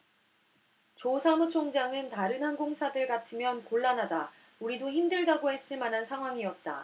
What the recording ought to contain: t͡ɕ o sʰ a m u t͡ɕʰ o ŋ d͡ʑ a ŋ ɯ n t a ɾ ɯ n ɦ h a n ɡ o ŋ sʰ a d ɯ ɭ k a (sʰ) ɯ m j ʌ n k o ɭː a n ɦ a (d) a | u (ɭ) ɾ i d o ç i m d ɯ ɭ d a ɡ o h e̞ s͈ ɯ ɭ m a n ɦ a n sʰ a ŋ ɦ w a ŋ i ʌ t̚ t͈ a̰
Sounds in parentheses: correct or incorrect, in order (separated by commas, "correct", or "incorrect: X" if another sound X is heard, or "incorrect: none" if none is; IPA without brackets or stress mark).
incorrect: tʰ, correct, incorrect: none